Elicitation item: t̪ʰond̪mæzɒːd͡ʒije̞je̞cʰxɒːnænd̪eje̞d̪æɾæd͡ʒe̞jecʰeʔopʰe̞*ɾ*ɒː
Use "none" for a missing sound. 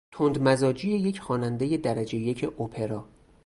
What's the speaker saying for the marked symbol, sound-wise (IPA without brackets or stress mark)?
ɾ